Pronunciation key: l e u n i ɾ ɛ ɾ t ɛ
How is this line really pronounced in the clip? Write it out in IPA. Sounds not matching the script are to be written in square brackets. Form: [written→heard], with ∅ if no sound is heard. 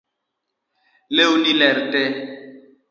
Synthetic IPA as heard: l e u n i [ɾ→l] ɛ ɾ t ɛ